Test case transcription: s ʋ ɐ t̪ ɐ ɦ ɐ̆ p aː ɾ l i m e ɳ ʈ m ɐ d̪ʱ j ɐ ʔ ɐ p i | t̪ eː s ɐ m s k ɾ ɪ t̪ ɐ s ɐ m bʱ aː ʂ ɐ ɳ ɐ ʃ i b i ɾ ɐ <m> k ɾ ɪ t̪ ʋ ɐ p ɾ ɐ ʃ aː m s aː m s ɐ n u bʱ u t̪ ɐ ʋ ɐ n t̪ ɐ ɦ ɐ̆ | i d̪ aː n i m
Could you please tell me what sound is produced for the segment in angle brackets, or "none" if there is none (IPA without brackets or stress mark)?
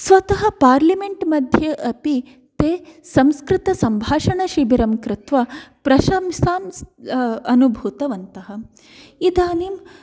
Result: m